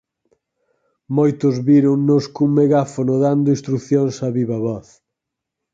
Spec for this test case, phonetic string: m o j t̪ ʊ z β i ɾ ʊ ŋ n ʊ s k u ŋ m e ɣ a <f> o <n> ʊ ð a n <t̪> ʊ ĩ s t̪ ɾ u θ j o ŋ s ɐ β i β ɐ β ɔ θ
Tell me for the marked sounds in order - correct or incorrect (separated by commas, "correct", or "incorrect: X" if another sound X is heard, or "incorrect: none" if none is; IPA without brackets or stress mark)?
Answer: correct, correct, incorrect: d̪